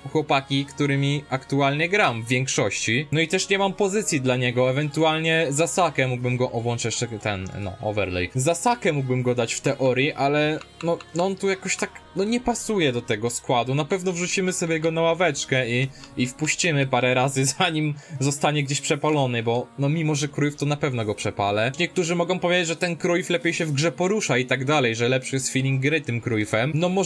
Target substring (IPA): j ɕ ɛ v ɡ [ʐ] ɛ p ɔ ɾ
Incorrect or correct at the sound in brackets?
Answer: correct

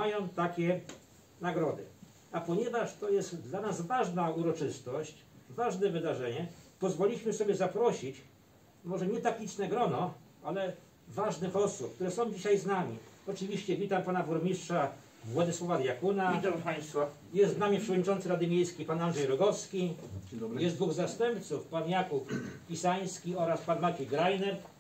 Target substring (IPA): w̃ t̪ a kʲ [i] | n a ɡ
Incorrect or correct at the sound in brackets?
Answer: incorrect: ɛ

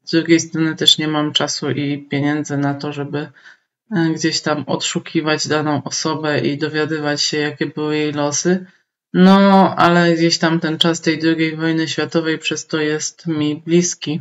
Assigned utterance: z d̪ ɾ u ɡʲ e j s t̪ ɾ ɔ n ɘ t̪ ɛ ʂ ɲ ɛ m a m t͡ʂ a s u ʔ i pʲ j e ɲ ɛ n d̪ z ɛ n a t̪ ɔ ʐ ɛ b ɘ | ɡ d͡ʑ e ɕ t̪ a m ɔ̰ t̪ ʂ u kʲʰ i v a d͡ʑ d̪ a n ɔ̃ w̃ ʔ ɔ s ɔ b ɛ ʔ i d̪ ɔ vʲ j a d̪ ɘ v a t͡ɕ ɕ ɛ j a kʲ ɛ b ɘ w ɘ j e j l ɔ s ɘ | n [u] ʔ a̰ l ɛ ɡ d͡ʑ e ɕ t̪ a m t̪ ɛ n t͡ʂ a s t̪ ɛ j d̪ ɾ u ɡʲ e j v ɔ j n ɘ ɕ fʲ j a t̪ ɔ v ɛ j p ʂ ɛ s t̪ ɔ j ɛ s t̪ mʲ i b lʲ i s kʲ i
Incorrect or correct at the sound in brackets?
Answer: incorrect: ɔ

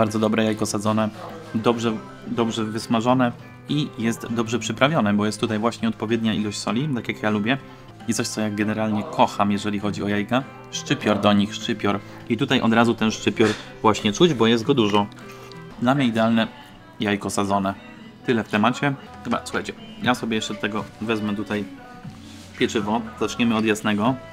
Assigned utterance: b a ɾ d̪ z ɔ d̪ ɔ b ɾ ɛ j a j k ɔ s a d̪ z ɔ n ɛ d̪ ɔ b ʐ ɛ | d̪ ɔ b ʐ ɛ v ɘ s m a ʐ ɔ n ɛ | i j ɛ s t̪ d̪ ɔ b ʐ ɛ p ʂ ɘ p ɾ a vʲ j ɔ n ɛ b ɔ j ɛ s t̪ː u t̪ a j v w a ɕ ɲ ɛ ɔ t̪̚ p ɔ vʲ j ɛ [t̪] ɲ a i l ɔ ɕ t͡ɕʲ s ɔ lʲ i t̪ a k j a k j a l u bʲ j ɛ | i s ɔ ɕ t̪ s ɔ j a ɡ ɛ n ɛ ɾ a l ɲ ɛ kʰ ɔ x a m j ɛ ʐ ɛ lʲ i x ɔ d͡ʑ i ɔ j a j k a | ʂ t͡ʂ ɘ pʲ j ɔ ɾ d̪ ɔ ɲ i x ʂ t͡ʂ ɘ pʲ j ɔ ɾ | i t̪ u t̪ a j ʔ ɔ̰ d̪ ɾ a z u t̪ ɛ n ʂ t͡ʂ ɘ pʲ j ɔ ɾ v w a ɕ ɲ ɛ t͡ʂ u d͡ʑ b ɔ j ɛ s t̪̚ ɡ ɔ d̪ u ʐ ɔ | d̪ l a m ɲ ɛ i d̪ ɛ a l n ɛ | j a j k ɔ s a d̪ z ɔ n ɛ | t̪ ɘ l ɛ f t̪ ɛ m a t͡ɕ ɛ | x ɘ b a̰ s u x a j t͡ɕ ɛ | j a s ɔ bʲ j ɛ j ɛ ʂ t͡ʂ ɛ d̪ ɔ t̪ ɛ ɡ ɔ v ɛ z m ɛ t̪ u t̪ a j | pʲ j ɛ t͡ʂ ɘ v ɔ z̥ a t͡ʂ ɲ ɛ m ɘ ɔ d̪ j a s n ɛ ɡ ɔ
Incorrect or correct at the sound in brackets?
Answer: incorrect: d̪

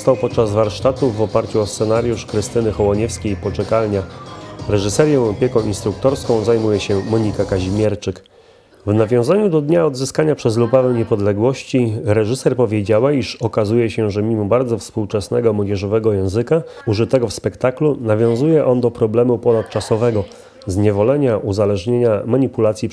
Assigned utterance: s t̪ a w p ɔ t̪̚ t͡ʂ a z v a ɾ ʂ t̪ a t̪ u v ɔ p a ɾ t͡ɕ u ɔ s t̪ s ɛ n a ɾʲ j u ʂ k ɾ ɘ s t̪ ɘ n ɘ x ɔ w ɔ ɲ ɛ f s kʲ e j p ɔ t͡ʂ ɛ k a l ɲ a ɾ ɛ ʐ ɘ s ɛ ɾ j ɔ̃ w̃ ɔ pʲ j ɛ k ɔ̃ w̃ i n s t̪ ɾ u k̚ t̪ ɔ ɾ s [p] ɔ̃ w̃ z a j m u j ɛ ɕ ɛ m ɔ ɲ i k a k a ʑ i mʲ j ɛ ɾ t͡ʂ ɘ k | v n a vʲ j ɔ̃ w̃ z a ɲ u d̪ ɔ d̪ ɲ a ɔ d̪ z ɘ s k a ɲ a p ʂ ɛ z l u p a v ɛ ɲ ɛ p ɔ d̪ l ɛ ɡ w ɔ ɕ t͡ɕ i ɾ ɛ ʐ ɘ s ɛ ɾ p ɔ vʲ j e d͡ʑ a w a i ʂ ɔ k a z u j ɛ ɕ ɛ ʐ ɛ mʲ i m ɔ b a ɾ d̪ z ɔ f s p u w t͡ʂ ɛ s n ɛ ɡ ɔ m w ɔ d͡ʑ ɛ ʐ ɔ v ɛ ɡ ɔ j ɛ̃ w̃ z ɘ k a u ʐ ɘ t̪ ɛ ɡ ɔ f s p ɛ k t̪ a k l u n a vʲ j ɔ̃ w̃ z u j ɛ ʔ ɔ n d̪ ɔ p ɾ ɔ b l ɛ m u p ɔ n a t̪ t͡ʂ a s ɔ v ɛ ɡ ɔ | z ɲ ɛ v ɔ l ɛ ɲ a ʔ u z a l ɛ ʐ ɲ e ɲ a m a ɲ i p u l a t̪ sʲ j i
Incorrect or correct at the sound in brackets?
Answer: incorrect: k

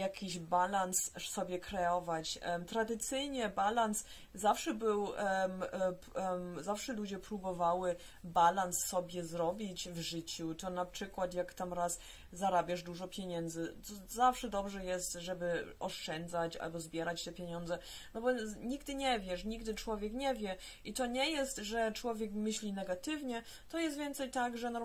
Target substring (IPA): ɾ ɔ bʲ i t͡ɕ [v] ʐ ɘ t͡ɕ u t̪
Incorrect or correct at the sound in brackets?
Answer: correct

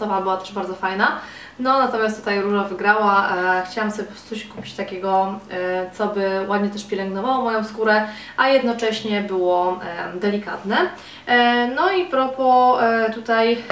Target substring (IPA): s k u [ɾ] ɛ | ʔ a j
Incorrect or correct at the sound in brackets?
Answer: correct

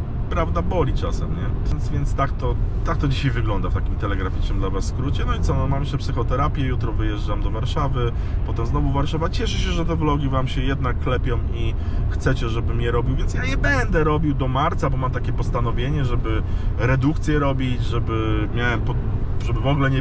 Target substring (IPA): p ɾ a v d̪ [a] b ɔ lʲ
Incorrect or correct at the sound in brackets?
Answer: correct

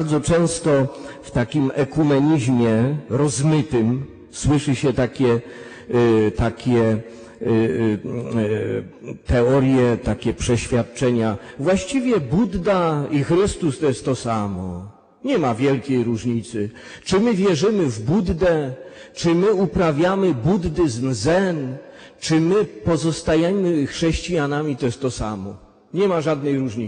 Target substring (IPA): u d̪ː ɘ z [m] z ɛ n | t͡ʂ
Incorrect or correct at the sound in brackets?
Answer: correct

